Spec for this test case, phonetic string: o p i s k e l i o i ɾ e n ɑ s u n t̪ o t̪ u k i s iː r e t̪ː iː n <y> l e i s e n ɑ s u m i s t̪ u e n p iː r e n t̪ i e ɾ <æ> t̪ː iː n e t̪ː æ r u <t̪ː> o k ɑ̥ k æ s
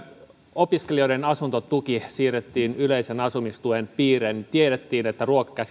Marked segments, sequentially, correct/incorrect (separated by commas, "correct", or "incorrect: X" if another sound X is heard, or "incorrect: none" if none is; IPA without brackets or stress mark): correct, incorrect: e, incorrect: none